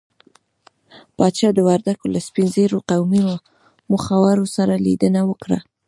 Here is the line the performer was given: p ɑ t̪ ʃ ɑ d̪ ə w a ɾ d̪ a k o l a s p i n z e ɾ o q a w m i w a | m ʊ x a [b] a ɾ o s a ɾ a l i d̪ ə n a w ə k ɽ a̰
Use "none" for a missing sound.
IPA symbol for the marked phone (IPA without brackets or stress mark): w